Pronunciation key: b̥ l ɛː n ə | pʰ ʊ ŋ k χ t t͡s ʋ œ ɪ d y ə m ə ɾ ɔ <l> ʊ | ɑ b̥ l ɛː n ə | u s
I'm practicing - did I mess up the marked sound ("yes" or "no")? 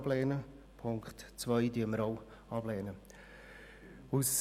yes